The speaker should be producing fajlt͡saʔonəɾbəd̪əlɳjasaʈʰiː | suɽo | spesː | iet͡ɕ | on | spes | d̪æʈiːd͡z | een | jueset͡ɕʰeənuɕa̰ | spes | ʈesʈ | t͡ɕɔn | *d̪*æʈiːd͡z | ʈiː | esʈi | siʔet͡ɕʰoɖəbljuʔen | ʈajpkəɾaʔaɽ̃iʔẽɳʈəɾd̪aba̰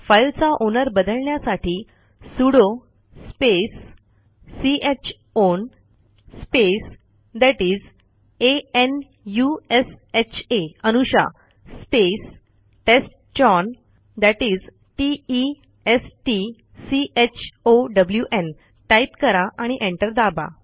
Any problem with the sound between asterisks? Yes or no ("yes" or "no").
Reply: no